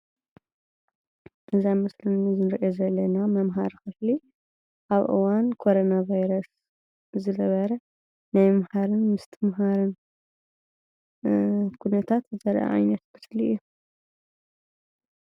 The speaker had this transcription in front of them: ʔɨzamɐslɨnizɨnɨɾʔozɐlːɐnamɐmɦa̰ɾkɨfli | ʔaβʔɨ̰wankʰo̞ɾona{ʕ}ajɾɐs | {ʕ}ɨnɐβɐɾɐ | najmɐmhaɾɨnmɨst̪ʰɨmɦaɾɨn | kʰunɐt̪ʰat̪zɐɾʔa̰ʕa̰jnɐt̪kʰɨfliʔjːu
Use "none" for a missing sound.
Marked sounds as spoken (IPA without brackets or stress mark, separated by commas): v, z